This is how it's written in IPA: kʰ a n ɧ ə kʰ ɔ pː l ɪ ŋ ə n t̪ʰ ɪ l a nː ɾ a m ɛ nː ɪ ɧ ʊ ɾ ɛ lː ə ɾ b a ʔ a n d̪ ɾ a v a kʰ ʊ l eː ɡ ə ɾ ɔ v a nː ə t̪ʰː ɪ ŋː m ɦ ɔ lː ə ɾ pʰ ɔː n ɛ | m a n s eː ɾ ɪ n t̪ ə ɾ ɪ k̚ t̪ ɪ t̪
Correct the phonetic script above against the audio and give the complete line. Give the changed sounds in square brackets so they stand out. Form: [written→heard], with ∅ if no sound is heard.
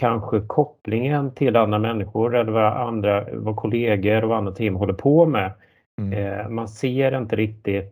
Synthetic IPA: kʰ a n ɧ ə kʰ ɔ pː l ɪ ŋ ə n t̪ʰ ɪ l a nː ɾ a m ɛ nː ɪ ɧ ʊ ɾ ɛ lː ə ɾ [b→v] a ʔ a n d̪ ɾ a v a kʰ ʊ l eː ɡ ə ɾ ɔ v a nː [ə→a] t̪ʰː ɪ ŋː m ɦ ɔ lː ə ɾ pʰ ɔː [n→m] ɛ | m a n s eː ɾ ɪ n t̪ ə ɾ ɪ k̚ t̪ ɪ t̪